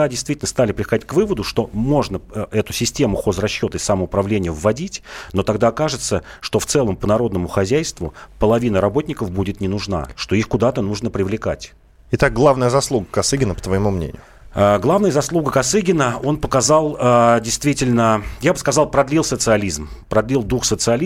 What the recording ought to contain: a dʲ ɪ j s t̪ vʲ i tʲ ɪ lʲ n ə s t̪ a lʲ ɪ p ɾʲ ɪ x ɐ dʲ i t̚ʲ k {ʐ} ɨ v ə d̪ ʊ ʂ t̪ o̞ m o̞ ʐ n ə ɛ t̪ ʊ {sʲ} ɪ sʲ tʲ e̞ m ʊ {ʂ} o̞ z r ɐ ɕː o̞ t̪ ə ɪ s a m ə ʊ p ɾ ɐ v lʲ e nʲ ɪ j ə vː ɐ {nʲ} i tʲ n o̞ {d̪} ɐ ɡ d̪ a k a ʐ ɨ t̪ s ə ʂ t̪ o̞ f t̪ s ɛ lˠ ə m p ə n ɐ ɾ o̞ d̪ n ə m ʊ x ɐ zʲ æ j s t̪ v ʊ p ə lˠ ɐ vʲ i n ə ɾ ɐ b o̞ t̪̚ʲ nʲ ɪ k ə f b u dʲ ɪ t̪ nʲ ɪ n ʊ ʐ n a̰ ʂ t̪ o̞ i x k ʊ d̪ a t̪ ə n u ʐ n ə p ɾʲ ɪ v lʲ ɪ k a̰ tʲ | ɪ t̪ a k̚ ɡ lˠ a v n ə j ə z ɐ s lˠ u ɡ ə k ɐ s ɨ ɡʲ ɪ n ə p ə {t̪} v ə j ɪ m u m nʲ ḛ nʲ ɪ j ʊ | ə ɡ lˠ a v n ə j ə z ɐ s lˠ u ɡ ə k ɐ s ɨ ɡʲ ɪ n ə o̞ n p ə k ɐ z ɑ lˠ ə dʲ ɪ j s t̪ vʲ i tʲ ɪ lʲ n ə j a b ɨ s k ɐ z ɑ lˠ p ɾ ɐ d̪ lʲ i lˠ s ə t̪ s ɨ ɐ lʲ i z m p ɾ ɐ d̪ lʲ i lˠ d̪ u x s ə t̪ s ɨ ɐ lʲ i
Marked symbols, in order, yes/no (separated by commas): no, yes, no, no, no, yes